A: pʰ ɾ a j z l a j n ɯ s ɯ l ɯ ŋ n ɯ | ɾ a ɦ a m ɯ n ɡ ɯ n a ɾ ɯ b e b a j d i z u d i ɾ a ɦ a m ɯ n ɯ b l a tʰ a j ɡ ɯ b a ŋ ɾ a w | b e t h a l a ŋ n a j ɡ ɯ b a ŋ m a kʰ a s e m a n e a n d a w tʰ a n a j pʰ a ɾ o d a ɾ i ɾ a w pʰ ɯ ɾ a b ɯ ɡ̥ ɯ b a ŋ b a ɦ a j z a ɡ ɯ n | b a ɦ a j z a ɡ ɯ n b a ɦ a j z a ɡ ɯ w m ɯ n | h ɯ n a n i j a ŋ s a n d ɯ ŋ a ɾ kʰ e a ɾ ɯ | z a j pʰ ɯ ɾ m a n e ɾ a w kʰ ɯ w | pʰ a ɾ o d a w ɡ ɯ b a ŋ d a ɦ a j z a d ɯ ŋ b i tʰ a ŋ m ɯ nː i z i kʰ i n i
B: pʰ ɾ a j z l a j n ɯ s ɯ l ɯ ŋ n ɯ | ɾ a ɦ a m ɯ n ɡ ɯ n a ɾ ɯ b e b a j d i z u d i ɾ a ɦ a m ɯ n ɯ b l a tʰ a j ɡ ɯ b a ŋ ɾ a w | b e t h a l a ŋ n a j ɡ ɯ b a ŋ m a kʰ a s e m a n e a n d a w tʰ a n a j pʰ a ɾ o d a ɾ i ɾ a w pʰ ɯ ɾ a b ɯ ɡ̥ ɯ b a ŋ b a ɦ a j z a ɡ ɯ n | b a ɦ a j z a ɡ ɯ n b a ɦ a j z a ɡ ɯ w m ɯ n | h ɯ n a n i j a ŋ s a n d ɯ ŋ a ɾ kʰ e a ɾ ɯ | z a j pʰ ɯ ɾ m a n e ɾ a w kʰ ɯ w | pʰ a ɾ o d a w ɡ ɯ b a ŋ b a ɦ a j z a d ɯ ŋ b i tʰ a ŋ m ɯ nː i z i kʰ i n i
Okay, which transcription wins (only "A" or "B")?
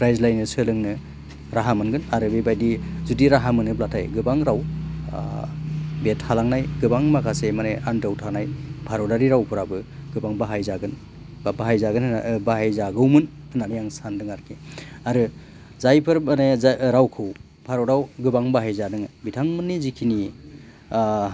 B